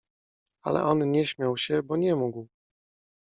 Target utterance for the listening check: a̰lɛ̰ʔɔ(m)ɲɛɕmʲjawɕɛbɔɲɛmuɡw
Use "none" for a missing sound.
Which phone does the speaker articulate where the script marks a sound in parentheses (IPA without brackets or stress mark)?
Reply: n